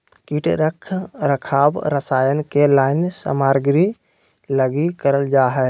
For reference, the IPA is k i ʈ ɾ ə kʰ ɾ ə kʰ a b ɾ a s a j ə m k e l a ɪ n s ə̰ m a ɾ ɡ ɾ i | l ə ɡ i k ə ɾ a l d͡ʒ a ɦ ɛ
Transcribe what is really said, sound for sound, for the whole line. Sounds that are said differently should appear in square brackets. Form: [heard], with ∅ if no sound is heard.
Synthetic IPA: k i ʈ ɾ ə kʰ ɾ ə kʰ a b ɾ [ə] s a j ə [n] k e l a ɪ n s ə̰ m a ɾ ɡ ɾ i | l ə ɡ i k ə ɾ [ə] l d͡ʒ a ɦ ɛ